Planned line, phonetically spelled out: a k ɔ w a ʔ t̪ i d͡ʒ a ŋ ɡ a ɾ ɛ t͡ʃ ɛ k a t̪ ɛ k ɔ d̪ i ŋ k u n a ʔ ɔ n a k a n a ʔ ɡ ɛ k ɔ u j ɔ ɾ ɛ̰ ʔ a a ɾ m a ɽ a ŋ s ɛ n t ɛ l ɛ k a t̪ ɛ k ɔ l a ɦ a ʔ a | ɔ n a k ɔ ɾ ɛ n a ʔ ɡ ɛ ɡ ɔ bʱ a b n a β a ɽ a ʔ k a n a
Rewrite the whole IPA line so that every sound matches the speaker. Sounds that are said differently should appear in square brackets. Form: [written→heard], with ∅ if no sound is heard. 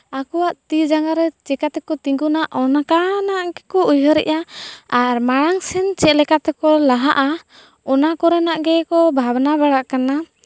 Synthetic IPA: a k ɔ w a ʔ t̪ i d͡ʒ a ŋ ɡ a ɾ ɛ t͡ʃ ɛ k a t̪ ɛ k ɔ [d̪→t̪] i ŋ [k→ɡ] u n a ʔ ɔ n a k a n a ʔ ɡ ɛ k ɔ u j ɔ ɾ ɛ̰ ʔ a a ɾ m a ɽ a ŋ s ɛ n [t→t͡ʃ] ɛ l ɛ k a t̪ ɛ k ɔ l a ɦ a ʔ a | ɔ n a k ɔ ɾ ɛ n a ʔ ɡ ɛ [ɡ→k] ɔ bʱ a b n a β a ɽ a ʔ k a n a

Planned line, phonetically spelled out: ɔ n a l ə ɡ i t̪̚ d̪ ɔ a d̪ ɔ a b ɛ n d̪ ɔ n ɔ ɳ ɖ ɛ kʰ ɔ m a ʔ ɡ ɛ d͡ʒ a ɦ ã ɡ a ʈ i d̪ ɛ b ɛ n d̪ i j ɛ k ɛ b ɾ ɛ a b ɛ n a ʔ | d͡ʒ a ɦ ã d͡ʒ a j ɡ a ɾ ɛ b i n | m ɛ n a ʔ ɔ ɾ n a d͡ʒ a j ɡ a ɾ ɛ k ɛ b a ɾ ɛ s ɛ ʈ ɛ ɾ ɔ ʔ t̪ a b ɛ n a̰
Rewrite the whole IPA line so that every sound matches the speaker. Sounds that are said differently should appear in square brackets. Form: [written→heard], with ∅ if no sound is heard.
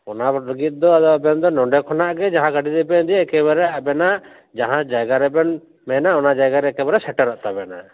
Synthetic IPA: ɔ n a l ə ɡ i t̪̚ d̪ ɔ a d̪ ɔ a b ɛ n d̪ ɔ n ɔ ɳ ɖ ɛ kʰ ɔ [m→n] a ʔ ɡ ɛ d͡ʒ a ɦ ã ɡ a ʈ i d̪ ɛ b ɛ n d̪ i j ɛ k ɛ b ɾ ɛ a b ɛ n a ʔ | d͡ʒ a ɦ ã d͡ʒ a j ɡ a ɾ ɛ b [i→ɛ] n | m ɛ n a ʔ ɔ [ɾ→∅] n a d͡ʒ a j ɡ a ɾ ɛ k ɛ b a ɾ ɛ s ɛ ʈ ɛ ɾ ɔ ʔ t̪ a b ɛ n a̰

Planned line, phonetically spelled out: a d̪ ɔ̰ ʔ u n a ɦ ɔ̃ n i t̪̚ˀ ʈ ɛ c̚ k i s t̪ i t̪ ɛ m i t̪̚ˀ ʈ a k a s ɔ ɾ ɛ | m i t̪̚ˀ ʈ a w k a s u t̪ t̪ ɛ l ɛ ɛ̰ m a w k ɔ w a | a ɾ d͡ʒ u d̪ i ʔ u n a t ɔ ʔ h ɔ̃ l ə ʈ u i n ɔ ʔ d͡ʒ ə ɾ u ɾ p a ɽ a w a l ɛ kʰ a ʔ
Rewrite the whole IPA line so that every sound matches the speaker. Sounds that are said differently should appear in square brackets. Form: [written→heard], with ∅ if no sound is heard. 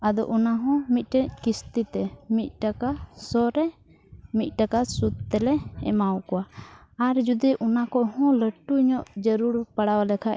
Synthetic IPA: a d̪ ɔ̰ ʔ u n a ɦ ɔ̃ [n→m] i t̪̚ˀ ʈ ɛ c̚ k i s t̪ i t̪ ɛ m i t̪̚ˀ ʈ a k a s ɔ ɾ ɛ | m i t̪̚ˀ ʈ a [w→∅] k a s u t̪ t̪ ɛ l ɛ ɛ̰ m a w k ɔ w a | a ɾ d͡ʒ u d̪ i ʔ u n a [t→k] ɔ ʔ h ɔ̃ l ə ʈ u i [n→ɲ] ɔ ʔ d͡ʒ ə ɾ u ɾ p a ɽ a w a l ɛ kʰ a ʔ

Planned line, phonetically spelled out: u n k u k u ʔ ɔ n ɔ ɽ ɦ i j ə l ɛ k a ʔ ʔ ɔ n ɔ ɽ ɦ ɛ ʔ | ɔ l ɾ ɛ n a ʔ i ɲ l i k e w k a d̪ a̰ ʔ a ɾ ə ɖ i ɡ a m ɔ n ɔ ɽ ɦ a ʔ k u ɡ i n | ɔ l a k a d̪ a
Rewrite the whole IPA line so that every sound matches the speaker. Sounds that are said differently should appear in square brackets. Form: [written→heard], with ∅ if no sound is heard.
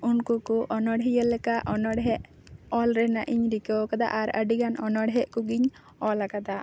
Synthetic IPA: u n k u k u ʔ ɔ n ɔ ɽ ɦ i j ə l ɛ k a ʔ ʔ ɔ n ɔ ɽ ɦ ɛ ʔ | ɔ l ɾ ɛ n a ʔ i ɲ [l→ɾ] i k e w k a d̪ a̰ ʔ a ɾ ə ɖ i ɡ a [m→n] ɔ n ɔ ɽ ɦ [a→ɛ] ʔ k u ɡ i [n→ɲ] | ɔ l a k a d̪ a

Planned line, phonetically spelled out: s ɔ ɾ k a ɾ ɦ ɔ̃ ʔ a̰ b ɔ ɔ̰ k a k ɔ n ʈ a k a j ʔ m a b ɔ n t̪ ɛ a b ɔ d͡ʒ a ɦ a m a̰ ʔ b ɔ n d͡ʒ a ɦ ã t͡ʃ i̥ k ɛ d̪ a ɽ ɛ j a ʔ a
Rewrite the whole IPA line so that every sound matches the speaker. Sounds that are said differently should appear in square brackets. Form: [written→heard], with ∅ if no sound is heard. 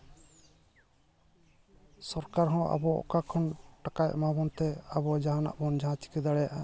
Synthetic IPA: s ɔ ɾ k a ɾ ɦ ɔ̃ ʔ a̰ b ɔ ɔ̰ k a [k→kʰ] ɔ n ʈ a k a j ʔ m a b ɔ n t̪ ɛ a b ɔ d͡ʒ a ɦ a [m→n] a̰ ʔ b ɔ n d͡ʒ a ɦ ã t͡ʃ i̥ k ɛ d̪ a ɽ ɛ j a ʔ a

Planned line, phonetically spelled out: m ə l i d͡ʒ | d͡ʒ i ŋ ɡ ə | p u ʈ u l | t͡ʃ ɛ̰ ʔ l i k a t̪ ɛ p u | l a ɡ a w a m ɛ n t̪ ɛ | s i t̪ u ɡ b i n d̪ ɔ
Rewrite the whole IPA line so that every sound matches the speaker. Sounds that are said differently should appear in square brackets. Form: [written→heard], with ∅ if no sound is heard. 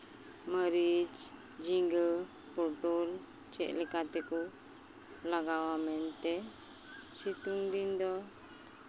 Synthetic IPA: m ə [l→ɾ] i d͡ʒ | d͡ʒ i ŋ ɡ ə | p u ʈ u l | t͡ʃ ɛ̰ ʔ l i k a t̪ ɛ [p→k] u | l a ɡ a w a m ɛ n t̪ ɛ | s i t̪ u [ɡ→ŋ] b i n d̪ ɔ

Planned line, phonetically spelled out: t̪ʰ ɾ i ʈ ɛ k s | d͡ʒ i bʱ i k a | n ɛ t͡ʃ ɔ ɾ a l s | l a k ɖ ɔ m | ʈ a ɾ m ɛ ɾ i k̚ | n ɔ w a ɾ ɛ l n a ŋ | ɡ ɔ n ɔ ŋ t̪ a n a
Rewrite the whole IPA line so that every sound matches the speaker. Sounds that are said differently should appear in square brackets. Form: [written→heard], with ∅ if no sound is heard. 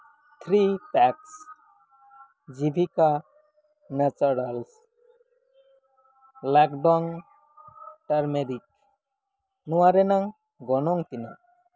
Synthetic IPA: t̪ʰ ɾ i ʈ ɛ k s | d͡ʒ i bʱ i k a | n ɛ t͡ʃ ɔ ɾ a l s | l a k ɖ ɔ [m→ŋ] | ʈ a ɾ m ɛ ɾ i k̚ | n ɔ w a ɾ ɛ [l→∅] n a ŋ | ɡ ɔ n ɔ ŋ t̪ [a→i] n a

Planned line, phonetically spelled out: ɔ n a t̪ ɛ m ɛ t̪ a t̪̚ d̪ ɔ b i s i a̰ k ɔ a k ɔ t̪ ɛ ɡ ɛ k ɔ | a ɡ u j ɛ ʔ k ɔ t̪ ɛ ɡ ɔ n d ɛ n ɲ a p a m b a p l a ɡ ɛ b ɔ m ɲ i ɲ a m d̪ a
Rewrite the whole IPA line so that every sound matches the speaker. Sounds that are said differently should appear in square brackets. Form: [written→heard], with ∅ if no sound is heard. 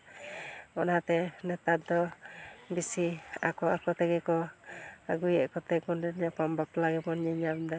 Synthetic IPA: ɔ n a t̪ ɛ [m→n] ɛ t̪ a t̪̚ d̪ ɔ b i s i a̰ k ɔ a k ɔ t̪ ɛ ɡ ɛ k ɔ | a ɡ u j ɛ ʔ k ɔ t̪ ɛ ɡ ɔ n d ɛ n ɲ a p a m b a p l a ɡ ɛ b ɔ [m→n] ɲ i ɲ a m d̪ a

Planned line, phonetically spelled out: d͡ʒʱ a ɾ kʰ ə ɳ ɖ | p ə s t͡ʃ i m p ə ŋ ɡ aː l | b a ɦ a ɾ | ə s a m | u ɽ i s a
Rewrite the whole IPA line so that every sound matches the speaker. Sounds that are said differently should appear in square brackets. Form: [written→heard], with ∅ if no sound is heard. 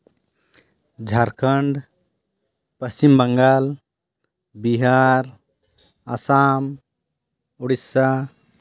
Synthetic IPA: d͡ʒʱ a ɾ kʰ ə ɳ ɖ | p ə s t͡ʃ i m [p→b] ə ŋ ɡ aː l | b [a→i] ɦ a ɾ | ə s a m | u ɽ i s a

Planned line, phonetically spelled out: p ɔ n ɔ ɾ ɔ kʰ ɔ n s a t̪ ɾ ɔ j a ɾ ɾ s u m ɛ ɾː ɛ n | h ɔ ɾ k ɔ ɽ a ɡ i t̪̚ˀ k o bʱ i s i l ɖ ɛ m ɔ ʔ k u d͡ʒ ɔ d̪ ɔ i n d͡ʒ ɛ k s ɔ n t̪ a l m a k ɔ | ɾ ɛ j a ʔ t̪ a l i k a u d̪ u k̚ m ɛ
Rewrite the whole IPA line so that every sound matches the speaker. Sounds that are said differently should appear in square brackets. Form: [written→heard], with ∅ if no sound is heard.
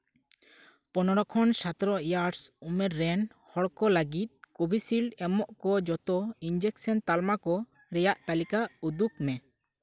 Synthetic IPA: p ɔ n ɔ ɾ ɔ kʰ ɔ n s a t̪ ɾ ɔ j a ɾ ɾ s u m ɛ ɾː ɛ n | h ɔ [ɾ→ɽ] k ɔ [ɽ→l] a ɡ i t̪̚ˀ k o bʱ i s i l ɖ ɛ m ɔ ʔ k [u→ɔ] d͡ʒ ɔ [d̪→t̪] ɔ i n d͡ʒ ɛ k s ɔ n t̪ a l m a k ɔ | ɾ ɛ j a ʔ t̪ a l i k a u d̪ u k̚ m ɛ

